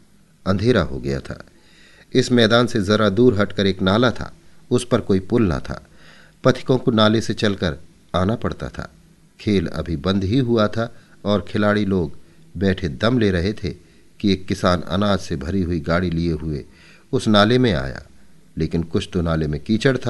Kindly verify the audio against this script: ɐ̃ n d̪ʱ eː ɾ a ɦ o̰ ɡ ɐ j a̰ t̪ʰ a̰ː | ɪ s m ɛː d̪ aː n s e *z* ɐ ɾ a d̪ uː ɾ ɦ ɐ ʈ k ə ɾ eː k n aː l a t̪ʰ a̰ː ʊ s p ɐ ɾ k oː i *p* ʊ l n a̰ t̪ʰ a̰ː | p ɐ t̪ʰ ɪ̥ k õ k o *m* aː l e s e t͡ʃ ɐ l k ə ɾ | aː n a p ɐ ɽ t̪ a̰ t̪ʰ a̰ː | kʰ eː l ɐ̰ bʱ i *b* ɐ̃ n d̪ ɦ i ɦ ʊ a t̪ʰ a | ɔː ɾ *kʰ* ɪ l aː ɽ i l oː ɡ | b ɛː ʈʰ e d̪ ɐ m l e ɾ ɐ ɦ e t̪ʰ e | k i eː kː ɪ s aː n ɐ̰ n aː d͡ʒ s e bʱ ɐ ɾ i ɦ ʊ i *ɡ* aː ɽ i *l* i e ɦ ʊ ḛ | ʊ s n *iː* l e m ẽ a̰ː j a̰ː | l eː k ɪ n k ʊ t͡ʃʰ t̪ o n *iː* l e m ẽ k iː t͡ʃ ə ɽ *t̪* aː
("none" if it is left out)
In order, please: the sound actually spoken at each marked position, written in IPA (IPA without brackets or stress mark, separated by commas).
z, p, n, b, kʰ, ɡ, l, aː, aː, t̪ʰ